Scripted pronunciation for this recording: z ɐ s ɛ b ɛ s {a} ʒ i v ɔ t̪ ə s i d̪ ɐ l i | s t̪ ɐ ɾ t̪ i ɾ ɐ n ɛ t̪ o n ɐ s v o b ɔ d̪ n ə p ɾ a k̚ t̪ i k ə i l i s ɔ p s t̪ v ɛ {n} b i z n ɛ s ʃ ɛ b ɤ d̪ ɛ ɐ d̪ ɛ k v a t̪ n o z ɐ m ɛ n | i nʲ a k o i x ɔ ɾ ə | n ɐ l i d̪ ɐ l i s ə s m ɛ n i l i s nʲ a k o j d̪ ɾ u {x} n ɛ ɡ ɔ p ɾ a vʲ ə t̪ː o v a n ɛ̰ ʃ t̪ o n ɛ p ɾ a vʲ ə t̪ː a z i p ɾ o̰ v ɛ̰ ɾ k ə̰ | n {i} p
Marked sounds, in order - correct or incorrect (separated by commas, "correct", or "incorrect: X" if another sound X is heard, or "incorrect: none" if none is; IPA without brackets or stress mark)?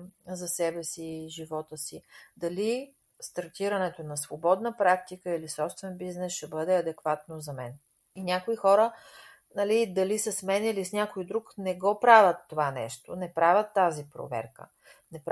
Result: incorrect: i, correct, incorrect: k, incorrect: ɛ